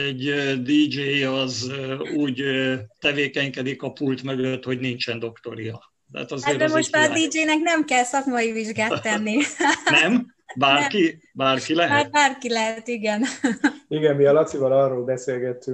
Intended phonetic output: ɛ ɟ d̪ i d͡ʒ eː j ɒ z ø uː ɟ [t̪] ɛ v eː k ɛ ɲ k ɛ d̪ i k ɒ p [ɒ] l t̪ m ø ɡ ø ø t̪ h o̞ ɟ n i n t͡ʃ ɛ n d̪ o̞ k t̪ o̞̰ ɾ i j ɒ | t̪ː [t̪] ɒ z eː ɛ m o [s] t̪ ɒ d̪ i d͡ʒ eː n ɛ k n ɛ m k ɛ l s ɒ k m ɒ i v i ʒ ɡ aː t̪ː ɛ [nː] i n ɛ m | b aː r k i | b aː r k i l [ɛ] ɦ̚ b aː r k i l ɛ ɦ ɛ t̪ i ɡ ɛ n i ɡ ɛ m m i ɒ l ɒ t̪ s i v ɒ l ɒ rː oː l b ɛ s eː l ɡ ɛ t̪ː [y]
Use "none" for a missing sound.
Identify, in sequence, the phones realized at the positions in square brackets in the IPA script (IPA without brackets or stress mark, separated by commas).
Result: t̪, u, t̪, ʃ, nː, ɛ, y